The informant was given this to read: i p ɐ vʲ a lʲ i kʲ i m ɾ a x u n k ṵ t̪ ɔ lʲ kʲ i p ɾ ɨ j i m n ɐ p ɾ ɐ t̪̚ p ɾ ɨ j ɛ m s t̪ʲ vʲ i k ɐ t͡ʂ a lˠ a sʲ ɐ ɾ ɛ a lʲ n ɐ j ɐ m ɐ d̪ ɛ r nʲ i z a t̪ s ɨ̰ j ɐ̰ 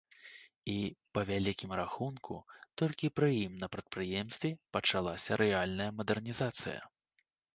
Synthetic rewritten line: i p ɐ vʲ a lʲ i kʲ i m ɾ a x u n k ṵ t̪ ɔ lʲ kʲ i p ɾ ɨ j i m n ɐ p ɾ ɐ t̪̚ p ɾ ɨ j ɛ m s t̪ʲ vʲ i p ɐ t͡ʂ a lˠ a sʲ ɐ ɾ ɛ a lʲ n ɐ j ɐ m ɐ d̪ ɛ r nʲ i z a t̪ s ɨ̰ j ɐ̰